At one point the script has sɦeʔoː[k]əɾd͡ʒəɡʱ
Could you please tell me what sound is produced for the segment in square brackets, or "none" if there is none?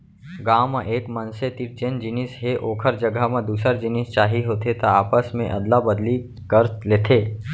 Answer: kʰ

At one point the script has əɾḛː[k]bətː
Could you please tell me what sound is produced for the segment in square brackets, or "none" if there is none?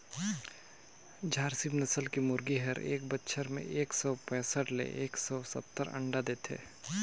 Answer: k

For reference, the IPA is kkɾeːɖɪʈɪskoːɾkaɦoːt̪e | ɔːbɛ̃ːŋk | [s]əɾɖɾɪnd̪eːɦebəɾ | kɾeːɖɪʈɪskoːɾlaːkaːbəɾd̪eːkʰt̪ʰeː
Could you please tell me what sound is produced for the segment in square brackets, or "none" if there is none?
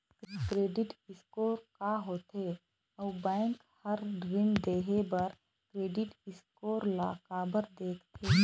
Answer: h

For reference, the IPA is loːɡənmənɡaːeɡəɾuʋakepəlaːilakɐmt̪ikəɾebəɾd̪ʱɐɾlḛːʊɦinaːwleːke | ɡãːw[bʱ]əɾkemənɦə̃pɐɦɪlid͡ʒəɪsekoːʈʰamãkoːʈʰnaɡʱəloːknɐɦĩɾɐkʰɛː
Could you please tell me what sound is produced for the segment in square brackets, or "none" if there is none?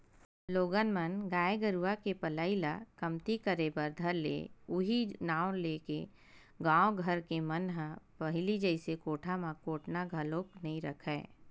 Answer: ɡʱ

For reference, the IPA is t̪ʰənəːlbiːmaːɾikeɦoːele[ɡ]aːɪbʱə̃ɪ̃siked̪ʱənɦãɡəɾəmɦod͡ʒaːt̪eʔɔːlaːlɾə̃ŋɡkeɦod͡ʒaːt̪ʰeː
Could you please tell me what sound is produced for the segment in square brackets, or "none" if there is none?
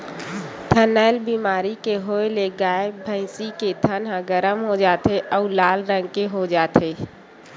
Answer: ɡ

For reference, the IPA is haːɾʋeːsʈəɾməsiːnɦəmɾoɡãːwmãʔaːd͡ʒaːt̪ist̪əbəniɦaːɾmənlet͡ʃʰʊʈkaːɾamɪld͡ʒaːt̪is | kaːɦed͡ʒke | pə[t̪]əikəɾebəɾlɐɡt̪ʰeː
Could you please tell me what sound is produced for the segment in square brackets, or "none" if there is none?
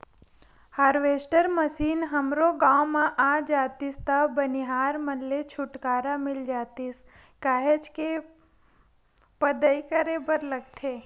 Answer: d̪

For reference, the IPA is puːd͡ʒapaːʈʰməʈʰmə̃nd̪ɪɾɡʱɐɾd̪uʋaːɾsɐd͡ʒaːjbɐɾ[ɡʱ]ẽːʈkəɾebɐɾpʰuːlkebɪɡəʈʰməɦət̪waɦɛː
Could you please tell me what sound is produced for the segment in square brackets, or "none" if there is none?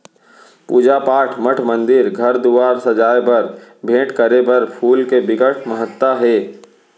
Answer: bʱ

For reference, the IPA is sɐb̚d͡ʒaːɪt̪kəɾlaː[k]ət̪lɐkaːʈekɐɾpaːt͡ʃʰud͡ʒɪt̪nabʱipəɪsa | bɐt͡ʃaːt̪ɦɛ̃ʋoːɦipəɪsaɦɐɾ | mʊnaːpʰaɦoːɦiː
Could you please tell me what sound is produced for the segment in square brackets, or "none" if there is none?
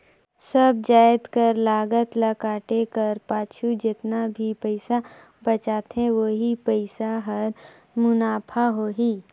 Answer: ɡ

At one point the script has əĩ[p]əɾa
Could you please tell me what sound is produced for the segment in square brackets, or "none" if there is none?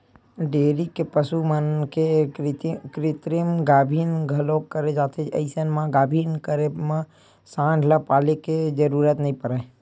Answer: p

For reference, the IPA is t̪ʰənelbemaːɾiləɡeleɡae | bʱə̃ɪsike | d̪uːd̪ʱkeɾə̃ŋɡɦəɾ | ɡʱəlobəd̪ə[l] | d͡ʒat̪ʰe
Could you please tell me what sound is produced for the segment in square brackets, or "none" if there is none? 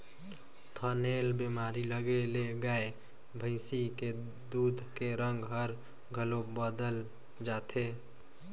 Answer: l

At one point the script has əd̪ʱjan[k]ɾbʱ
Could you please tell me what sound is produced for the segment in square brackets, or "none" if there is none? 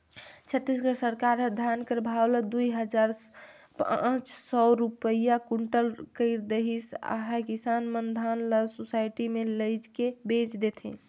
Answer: k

